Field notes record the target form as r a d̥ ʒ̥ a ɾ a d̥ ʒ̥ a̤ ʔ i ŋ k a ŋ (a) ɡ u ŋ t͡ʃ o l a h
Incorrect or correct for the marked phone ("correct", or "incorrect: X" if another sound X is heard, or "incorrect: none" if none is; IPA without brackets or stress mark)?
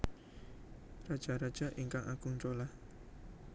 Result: correct